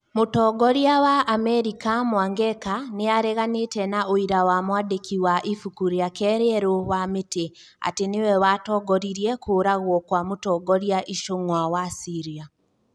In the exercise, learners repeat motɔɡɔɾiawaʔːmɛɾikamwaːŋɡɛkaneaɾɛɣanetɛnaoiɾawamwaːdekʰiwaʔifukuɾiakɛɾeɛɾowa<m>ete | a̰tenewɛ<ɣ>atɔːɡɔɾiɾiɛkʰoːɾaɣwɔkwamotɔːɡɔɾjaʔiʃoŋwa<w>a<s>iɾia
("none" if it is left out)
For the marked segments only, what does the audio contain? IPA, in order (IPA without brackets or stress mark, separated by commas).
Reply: m, w, w, s